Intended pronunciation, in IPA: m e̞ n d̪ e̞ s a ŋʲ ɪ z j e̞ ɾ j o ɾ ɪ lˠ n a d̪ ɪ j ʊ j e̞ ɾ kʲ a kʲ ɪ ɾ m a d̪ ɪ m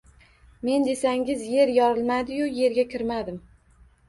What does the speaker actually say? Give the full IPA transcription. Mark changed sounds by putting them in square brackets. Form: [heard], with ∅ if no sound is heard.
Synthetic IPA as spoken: m e̞ n d̪ e̞ s a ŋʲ ɪ z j e̞ ɾ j [ɒ] ɾ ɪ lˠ [m] a d̪ ɪ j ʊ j e̞ ɾ [ɡʲ] a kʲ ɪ ɾ m a d̪ ɪ m

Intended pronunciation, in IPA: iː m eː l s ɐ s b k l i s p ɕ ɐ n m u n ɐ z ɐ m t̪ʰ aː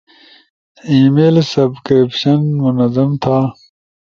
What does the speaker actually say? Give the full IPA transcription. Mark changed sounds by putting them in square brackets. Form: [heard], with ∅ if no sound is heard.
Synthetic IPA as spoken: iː m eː l s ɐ [∅] b k [ɾ] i [∅] p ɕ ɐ n m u n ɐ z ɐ m t̪ʰ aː

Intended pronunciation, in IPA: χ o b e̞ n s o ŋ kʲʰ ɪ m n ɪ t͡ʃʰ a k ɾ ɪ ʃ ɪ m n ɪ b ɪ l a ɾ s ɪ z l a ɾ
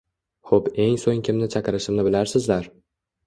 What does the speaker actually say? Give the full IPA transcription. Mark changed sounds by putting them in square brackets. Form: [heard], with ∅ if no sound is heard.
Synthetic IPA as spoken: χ o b e̞ [ŋ] s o ŋ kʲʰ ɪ m n ɪ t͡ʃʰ a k ɾ ɪ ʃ ɪ m n ɪ b ɪ l a ɾ s ɪ z l a ɾ

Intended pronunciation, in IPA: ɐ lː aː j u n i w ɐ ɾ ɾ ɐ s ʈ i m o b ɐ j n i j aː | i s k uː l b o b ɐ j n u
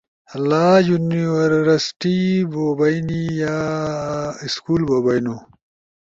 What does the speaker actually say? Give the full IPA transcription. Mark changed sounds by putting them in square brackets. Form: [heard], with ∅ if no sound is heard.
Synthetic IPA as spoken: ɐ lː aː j u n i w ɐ ɾ ɾ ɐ s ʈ i [b] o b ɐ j n i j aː | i s k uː l b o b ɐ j n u

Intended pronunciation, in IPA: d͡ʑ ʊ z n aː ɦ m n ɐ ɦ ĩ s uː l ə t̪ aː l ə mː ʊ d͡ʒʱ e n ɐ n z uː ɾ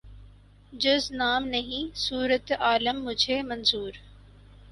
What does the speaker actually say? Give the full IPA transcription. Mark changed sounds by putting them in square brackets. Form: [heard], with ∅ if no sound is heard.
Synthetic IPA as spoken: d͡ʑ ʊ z n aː [∅] m n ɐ ɦ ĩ s uː [ɾ] ə t̪ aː l ə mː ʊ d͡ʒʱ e [m] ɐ n z uː ɾ

